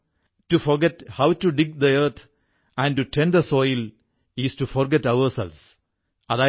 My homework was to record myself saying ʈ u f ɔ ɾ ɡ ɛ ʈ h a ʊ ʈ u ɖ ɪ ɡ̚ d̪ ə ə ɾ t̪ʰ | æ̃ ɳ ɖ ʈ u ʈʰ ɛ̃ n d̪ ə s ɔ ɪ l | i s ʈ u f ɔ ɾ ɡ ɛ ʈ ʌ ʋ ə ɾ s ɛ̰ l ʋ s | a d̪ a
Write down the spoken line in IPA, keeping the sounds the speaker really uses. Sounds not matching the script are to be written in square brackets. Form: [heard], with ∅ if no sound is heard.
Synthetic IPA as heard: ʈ u f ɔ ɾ ɡ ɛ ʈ h a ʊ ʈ u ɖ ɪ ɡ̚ d̪ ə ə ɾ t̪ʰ | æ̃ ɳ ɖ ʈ u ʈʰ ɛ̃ n d̪ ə s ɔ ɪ l | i s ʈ u f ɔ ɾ ɡ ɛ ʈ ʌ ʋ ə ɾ s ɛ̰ l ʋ s | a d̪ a